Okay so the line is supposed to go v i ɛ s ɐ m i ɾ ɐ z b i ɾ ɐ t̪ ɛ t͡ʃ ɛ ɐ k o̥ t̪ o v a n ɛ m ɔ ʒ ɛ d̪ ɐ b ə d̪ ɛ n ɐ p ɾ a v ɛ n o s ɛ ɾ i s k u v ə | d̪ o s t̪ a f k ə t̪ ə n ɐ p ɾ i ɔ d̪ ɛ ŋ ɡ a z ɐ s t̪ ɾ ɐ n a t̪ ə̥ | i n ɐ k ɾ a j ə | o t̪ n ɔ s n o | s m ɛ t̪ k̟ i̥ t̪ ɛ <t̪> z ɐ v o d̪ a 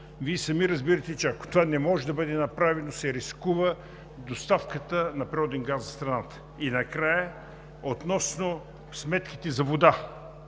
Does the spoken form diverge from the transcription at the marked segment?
yes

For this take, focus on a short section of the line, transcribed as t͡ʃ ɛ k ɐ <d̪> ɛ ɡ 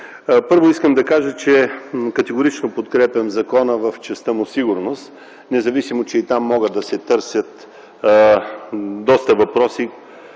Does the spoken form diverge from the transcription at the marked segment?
yes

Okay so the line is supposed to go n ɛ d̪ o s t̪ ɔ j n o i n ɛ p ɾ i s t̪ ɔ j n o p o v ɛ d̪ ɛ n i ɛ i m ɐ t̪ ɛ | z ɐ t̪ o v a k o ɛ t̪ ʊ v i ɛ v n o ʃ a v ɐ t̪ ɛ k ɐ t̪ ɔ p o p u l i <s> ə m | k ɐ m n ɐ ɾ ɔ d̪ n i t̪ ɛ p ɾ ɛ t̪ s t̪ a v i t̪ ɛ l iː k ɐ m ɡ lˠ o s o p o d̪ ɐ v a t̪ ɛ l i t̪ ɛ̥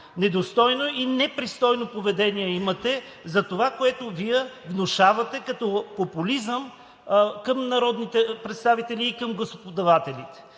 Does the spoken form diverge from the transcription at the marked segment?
yes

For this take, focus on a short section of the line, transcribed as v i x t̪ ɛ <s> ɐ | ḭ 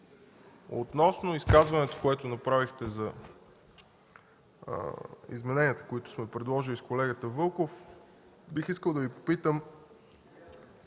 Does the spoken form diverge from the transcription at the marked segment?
yes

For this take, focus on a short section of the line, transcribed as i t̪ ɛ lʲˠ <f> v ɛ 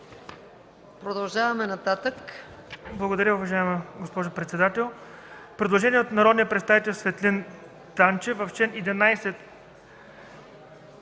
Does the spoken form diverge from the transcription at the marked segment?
yes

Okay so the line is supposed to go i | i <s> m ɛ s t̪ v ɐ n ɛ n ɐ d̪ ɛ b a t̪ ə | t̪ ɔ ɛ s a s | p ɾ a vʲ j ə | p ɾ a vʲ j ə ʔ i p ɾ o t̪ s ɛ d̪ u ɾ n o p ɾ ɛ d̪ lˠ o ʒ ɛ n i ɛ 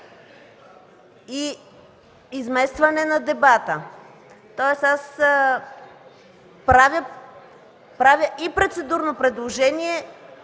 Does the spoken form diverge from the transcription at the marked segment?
yes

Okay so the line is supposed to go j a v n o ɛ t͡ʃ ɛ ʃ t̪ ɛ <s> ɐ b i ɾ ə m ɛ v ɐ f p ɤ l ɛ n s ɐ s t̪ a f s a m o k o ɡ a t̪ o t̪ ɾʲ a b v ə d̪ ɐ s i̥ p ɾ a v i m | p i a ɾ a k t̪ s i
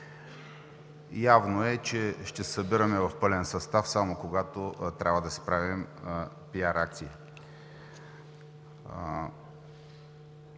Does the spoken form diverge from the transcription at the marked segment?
no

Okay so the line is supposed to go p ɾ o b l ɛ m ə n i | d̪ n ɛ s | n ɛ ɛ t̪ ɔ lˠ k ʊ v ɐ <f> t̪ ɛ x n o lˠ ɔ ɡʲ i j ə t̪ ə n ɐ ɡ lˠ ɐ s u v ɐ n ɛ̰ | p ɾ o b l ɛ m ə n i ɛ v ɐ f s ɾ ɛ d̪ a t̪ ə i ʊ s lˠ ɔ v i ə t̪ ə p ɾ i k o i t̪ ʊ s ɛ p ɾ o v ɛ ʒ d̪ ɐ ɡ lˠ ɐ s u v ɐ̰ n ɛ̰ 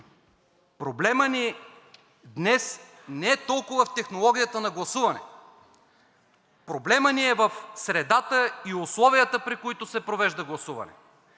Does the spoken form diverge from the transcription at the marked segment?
no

